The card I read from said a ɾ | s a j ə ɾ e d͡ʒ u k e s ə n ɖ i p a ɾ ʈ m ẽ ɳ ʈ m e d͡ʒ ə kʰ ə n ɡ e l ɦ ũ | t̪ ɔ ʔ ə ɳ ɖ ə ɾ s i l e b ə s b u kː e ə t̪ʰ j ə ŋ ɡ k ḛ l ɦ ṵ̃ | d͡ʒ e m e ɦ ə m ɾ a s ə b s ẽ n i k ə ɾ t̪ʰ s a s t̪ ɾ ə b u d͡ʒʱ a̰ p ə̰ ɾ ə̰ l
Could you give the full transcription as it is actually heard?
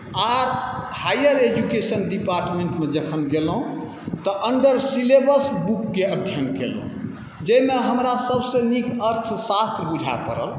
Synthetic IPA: a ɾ | h a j ə ɾ e d͡ʒ u k e s ə n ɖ i p a ɾ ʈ m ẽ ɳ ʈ m e d͡ʒ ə kʰ ə n ɡ e l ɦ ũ | t̪ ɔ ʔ ə ɳ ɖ ə ɾ s i l e b ə s b u kː e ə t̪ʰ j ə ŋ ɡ k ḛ l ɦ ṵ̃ | d͡ʒ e m e ɦ ə m ɾ a s ə b s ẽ n i k ə ɾ t̪ʰ s a s t̪ ɾ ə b u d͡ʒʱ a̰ p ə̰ ɾ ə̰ l